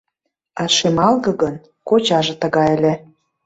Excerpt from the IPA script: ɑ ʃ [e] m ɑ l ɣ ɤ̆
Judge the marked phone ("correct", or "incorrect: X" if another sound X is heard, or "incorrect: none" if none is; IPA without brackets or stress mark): correct